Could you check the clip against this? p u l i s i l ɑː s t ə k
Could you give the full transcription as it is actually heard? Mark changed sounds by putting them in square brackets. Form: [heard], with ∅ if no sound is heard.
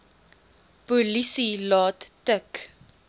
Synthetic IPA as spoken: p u l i s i l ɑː [t] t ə k